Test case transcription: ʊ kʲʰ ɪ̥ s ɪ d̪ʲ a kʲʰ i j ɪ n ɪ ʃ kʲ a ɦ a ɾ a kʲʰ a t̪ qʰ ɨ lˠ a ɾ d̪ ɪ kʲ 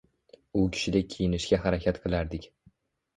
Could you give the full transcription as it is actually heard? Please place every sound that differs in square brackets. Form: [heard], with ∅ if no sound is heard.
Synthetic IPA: ʊ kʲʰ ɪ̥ [ʃ] ɪ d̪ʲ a kʲʰ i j ɪ n ɪ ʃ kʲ a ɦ a ɾ a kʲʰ a t̪ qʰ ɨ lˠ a ɾ d̪ ɪ kʲ